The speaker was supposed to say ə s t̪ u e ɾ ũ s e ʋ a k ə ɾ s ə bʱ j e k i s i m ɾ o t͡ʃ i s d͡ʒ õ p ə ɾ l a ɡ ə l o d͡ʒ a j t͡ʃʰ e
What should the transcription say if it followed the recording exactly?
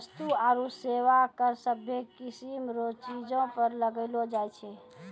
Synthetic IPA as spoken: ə s t̪ u a ɾ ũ s e ʋ a k ə ɾ s ə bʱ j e k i s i m ɾ o t͡ʃ i d͡ʒ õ p ə ɾ l ə ɡ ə l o d͡ʒ a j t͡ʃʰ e